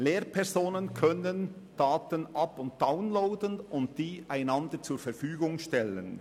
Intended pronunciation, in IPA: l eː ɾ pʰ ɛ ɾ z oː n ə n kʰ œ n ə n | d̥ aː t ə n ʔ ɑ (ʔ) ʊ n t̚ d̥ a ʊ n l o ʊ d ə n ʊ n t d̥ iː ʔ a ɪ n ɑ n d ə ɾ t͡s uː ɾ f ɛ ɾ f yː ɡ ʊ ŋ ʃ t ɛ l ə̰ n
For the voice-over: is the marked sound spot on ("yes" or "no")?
no